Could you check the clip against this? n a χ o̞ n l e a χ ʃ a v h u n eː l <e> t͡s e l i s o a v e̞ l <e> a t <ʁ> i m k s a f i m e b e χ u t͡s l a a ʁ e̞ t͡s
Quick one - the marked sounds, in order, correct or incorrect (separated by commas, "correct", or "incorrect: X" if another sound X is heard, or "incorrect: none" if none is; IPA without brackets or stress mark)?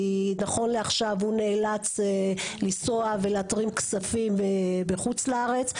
incorrect: a, correct, correct